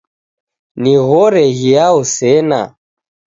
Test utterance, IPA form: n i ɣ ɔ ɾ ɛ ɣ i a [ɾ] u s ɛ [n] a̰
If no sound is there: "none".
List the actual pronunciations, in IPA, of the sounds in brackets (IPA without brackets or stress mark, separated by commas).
none, n